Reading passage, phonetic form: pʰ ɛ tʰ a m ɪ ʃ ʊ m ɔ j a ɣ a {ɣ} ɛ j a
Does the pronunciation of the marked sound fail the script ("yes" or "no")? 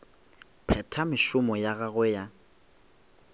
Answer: no